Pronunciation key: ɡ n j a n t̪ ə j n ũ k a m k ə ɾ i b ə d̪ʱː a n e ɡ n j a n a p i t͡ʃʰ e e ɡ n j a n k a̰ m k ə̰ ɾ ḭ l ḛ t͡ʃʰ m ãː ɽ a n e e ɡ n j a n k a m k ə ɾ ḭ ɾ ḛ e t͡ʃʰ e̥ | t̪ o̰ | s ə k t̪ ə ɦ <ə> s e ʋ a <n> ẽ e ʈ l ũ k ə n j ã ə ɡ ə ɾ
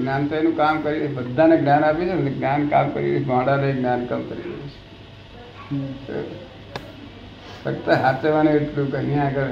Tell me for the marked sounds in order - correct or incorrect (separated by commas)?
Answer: incorrect, correct